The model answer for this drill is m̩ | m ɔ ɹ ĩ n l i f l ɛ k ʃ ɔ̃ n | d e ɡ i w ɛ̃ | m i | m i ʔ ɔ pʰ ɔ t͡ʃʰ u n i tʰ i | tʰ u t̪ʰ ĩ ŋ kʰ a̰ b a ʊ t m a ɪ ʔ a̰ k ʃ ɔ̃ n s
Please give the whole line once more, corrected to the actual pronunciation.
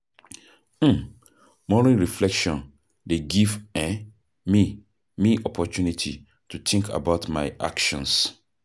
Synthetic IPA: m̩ | m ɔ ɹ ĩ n ɹ i f l ɛ k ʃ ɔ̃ n | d e ɡ i v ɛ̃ | m i | m i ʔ ɔ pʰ ɔ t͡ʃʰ u n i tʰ i | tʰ u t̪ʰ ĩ ŋ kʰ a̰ b a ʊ t m a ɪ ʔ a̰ k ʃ ɔ̃ n s